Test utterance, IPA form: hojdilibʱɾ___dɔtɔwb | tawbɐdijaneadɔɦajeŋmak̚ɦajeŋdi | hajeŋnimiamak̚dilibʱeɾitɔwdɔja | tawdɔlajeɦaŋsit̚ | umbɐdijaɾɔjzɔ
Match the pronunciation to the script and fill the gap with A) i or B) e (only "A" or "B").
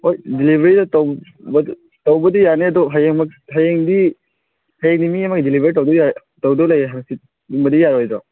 A